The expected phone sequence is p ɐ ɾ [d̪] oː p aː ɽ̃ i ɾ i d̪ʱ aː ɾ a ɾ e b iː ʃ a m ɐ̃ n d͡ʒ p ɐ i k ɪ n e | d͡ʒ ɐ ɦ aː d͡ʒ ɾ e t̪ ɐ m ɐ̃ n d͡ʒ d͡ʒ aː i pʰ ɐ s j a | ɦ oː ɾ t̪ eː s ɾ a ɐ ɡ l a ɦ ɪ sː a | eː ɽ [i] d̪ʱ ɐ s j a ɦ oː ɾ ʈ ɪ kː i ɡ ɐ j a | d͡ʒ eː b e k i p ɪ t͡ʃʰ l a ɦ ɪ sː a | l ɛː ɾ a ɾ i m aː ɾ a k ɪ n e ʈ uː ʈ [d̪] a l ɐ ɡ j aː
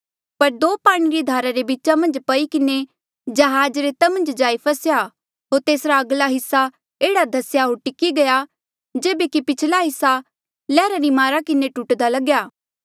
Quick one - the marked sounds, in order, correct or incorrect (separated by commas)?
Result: correct, incorrect, correct